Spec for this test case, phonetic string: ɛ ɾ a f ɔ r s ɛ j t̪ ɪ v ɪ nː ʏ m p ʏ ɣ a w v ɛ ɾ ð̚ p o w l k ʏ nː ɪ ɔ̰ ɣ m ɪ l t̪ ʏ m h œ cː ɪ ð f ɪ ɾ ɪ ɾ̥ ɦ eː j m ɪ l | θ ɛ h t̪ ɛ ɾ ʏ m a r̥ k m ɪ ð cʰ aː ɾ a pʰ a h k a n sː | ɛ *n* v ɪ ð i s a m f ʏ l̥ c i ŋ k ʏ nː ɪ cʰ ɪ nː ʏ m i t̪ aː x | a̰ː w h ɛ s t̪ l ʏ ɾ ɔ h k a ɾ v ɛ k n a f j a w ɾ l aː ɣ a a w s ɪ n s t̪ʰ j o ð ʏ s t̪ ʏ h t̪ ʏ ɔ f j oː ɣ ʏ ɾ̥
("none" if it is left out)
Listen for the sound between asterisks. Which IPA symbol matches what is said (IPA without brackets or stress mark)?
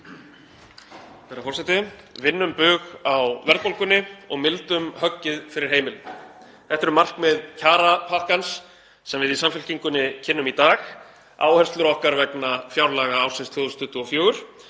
m